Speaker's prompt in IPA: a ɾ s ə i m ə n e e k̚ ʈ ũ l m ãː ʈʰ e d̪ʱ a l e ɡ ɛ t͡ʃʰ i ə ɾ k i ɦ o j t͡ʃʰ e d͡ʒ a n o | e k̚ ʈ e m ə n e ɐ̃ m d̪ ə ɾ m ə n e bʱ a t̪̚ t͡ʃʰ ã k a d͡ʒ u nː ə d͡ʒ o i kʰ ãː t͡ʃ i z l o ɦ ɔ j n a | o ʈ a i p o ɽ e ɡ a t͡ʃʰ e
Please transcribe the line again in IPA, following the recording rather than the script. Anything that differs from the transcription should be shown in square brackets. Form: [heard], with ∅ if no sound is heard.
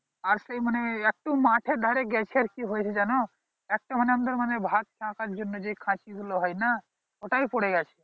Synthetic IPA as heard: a ɾ s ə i m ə n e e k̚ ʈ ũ [∅] m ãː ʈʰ e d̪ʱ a [ɾ] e ɡ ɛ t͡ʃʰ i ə ɾ k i ɦ o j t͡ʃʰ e d͡ʒ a n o | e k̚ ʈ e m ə n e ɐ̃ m d̪ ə ɾ m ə n e bʱ a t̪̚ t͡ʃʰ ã k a d͡ʒ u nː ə d͡ʒ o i kʰ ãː t͡ʃ i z l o ɦ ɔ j n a | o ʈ a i p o ɽ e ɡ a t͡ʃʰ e

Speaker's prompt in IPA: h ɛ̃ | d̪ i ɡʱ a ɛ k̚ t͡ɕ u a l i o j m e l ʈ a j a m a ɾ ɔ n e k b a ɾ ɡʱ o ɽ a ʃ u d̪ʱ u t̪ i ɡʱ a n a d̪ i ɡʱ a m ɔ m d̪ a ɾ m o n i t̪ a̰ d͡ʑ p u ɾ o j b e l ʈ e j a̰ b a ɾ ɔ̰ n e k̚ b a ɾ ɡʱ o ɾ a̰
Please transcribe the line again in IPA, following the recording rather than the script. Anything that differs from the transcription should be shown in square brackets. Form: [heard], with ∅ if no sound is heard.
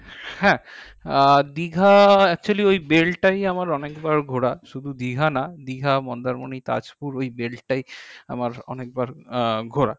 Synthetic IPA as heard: h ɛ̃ | d̪ i ɡʱ a ɛ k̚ t͡ɕ u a l i o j [b] e l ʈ a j a m a ɾ ɔ n e k b a ɾ ɡʱ o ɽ a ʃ u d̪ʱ u [d̪] i ɡʱ a n a d̪ i ɡʱ a m ɔ [n] d̪ a ɾ m o n i t̪ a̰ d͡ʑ p u ɾ o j b e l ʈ [a] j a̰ [m] a ɾ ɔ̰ n e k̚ b a ɾ ɡʱ o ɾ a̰

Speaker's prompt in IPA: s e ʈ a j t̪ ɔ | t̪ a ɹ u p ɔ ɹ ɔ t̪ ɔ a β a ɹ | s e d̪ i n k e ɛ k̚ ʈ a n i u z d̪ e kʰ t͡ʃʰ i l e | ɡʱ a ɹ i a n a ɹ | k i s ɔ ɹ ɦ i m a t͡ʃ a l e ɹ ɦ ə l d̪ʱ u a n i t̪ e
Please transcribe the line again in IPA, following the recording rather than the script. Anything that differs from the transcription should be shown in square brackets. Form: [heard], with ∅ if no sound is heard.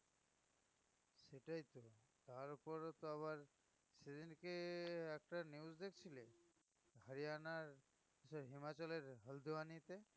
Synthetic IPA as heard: s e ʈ a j t̪ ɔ | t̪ a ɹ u p ɔ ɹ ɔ t̪ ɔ a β a ɹ | s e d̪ i n k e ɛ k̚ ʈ a n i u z d̪ e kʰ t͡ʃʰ i l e | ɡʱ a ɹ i a n a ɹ | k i s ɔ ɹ ɦ i m a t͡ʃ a l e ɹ ɦ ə l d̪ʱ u a n i t̪ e

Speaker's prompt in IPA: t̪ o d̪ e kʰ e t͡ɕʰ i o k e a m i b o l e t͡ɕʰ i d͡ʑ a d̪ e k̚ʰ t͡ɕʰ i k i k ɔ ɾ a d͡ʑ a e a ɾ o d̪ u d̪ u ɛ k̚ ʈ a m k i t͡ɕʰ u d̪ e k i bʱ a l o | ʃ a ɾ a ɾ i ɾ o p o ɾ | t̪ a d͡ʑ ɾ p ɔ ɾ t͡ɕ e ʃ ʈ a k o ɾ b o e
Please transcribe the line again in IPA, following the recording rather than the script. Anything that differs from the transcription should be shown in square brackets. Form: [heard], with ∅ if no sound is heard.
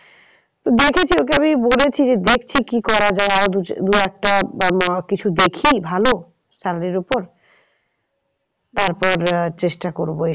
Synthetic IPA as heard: t̪ o d̪ e kʰ e t͡ɕʰ i o k e a m i b o l e t͡ɕʰ i d͡ʑ [e] d̪ e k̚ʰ t͡ɕʰ i k i k ɔ ɾ a d͡ʑ a e a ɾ o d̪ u d̪ u ɛ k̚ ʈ a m k i t͡ɕʰ u d̪ e [kʰ] i bʱ a l o | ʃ a ɾ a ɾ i ɾ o p o ɾ | t̪ a [∅] ɾ p ɔ ɾ t͡ɕ e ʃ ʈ a k o ɾ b o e

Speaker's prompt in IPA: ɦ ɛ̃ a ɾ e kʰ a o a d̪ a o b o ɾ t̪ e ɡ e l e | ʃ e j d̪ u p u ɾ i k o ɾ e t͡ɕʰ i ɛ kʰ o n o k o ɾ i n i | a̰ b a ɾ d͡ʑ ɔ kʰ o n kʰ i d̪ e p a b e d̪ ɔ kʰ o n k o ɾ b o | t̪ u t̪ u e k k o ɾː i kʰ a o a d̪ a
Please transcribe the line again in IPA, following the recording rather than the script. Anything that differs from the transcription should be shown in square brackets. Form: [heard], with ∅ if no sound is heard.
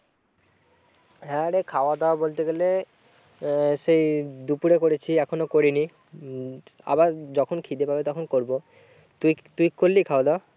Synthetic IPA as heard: ɦ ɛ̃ a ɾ e kʰ a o a d̪ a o b o [l] t̪ e ɡ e l e | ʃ e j d̪ u p u ɾ [e] k o ɾ e t͡ɕʰ i ɛ kʰ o n o k o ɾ i n i | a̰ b a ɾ d͡ʑ ɔ kʰ o n kʰ i d̪ e p a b e [t̪] ɔ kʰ o n k o ɾ b o | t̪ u t̪ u [i] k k o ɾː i kʰ a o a d̪ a

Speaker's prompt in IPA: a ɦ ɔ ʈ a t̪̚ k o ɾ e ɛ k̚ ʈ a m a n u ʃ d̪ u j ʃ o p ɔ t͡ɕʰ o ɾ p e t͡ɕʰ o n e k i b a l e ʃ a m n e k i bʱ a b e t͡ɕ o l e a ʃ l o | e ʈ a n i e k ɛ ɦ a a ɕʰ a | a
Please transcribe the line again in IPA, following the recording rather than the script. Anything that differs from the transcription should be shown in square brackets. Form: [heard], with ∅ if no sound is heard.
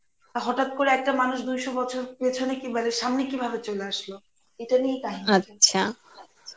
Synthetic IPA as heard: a ɦ ɔ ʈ a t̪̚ k o ɾ e ɛ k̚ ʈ a m a n u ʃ d̪ u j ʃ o [b] ɔ t͡ɕʰ o ɾ p e t͡ɕʰ o n e k i b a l e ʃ a m n e k i bʱ a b e t͡ɕ o l e a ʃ l o | e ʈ a n i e k [a] ɦ [i] a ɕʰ a | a

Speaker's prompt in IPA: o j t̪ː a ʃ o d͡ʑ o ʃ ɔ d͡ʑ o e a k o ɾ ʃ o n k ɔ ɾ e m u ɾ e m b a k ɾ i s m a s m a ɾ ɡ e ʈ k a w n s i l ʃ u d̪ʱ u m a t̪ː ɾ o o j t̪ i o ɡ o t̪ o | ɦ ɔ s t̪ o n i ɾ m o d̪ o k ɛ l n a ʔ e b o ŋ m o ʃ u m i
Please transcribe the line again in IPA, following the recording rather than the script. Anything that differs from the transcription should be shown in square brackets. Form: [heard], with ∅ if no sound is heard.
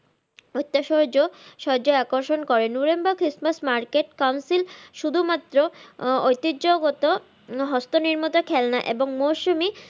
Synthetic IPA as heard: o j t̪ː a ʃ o d͡ʑ o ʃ ɔ d͡ʑ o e a k o ɾ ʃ o n k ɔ ɾ e [n] u ɾ e m b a k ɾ i s m a s m a ɾ [k] e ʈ k a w n s i l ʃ u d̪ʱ u m a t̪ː ɾ o o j t̪ i o ɡ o t̪ o | ɦ ɔ s t̪ o n i ɾ m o [t̪] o [kʰ] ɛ l n a ʔ e b o ŋ m o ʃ u m i

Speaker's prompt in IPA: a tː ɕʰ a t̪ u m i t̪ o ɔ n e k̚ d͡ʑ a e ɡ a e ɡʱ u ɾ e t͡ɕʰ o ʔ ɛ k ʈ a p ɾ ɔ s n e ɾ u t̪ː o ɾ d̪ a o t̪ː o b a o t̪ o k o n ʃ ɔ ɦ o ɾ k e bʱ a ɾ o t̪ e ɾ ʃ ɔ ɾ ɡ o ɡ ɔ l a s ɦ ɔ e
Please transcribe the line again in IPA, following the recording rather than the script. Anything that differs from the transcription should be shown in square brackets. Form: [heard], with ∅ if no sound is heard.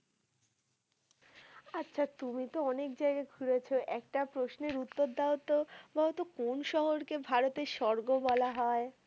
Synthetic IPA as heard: a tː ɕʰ a t̪ u m i t̪ o ɔ n e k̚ d͡ʑ a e ɡ a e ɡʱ u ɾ e t͡ɕʰ o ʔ ɛ k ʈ a p ɾ [o] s n e ɾ u t̪ː o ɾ d̪ a o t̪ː o b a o t̪ o k o n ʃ ɔ ɦ o ɾ k e bʱ a ɾ o t̪ e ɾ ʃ ɔ ɾ ɡ o [b] ɔ l a [∅] ɦ ɔ e

